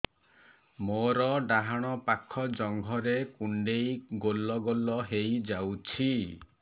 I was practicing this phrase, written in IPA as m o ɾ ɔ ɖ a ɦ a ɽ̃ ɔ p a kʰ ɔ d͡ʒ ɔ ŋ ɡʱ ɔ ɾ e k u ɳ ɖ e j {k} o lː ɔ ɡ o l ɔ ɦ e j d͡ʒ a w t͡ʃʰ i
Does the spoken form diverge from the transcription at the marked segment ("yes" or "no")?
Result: yes